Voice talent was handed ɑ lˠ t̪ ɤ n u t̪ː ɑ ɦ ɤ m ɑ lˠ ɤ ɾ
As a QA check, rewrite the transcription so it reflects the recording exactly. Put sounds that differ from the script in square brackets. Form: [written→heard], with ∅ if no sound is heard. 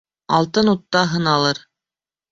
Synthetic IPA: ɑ lˠ t̪ ɤ n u t̪ː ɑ ɦ ɤ [m→n] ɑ lˠ ɤ ɾ